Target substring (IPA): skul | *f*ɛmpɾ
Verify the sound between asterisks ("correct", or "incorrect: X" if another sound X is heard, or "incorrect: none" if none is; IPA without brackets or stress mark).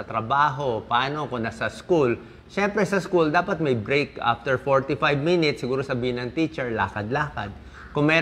incorrect: ʃ